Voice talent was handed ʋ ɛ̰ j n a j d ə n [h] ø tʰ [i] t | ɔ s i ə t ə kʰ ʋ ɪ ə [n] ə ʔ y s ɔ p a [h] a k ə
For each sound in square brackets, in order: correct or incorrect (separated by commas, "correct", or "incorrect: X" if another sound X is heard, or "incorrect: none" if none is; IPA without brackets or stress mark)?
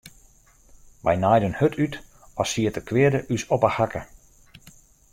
correct, incorrect: y, incorrect: d, correct